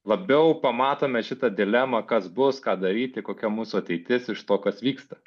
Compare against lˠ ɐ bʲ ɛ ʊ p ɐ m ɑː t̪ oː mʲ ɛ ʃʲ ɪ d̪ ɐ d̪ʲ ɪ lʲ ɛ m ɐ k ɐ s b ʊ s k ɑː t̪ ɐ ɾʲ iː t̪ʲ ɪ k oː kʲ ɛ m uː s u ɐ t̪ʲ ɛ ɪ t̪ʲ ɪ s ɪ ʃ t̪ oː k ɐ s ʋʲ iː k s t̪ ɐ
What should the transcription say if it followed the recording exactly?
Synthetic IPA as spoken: lˠ ɐ bʲ ɛ ʊ p ɐ m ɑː t̪ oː mʲ ɛ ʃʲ ɪ t̪ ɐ d̪ʲ ɪ lʲ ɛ m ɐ k ɐ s b ʊ s k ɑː d̪ ɐ ɾʲ iː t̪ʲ ɪ k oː kʲ ɛ m uː s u ɐ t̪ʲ ɛ ɪ t̪ʲ ɪ s ɪ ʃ t̪ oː k ɐ s ʋʲ iː k s t̪ ɐ